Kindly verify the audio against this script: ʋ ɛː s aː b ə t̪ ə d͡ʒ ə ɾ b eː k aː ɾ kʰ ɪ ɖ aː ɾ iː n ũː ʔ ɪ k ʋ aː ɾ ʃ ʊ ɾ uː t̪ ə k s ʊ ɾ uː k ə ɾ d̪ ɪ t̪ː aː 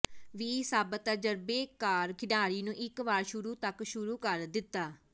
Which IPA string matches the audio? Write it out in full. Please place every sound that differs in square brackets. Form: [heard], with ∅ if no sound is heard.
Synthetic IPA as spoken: ʋ [iː] s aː b ə t̪ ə d͡ʒ ə ɾ b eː k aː ɾ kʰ ɪ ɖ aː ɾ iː n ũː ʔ ɪ k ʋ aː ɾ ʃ ʊ ɾ uː t̪ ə k [ʃ] ʊ ɾ uː k ə ɾ d̪ ɪ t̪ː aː